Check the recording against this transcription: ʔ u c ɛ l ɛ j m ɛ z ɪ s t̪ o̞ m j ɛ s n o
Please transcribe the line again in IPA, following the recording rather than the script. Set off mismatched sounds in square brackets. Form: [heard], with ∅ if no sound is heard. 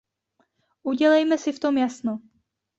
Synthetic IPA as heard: ʔ u [ɟ] ɛ l ɛ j m ɛ [s] ɪ [f] t̪ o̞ m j [a] s n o